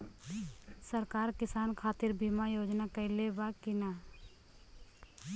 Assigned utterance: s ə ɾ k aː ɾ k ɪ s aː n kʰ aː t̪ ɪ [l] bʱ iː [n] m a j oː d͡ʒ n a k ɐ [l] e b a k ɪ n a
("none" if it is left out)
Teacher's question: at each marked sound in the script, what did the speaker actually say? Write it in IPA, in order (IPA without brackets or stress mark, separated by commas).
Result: ɾ, none, l